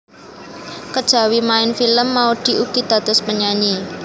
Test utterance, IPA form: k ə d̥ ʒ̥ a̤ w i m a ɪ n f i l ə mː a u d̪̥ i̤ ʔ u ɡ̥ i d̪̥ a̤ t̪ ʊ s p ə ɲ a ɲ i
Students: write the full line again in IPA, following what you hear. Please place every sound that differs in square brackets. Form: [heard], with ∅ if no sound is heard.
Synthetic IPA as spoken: k ə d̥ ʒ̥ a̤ w i m a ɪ n f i l ə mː a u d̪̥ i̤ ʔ u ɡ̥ i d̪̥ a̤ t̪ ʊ s p ə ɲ a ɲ i

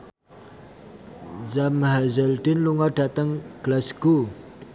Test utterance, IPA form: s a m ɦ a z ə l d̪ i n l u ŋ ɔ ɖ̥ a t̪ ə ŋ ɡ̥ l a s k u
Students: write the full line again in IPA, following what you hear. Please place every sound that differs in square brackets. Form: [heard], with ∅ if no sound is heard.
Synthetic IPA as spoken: [z] a m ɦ a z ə l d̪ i n l u ŋ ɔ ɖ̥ a t̪ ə ŋ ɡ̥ l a s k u

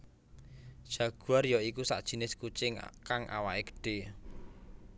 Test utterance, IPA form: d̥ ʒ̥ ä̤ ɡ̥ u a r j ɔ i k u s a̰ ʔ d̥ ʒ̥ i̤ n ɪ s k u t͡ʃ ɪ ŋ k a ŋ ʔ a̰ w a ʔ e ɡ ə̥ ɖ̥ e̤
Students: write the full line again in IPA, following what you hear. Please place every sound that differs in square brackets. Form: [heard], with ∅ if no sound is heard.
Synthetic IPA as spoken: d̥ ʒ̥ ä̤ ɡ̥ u a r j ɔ i k u s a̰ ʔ d̥ ʒ̥ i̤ n ɪ s k u t͡ʃ ɪ ŋ k a ŋ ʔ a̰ w a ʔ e ɡ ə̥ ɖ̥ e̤

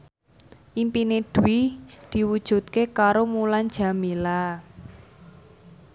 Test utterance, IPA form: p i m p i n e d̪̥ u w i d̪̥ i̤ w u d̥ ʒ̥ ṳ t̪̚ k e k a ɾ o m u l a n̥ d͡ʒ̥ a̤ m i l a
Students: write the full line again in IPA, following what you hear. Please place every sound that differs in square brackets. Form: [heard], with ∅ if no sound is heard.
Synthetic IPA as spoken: [ʔ] i m p i n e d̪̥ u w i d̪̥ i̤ w u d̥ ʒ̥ ṳ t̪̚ k e k a ɾ o m u l a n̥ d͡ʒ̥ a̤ m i l a

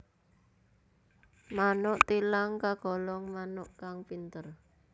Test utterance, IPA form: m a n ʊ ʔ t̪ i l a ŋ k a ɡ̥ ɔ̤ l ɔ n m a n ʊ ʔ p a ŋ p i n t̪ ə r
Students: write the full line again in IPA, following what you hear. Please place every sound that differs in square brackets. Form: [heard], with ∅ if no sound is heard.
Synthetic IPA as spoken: m a n ʊ ʔ t̪ i l a ŋ k a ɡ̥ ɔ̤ l ɔ [ŋ] m a n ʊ ʔ [k] a ŋ p i n t̪ ə r

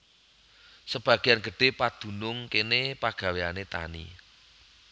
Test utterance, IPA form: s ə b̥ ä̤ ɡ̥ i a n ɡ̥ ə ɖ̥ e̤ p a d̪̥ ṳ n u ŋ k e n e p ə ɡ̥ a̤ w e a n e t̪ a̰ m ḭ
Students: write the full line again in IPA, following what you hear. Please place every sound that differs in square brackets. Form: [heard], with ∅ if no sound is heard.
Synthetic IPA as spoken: s ə b̥ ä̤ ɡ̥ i a n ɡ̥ ə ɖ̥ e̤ p a d̪̥ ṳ n [ʊ] ŋ k e n e p [a] ɡ̥ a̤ w e a n e t̪ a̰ [n] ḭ

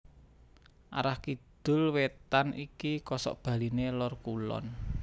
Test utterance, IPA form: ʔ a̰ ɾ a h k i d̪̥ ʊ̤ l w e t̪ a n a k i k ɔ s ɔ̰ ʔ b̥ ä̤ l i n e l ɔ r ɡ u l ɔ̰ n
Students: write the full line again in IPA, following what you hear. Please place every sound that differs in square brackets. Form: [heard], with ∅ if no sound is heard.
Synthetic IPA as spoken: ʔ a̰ ɾ a h k i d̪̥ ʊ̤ l w e t̪ a n [i] k i k ɔ s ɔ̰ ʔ b̥ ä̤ l i n e l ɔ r [k] u l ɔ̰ n

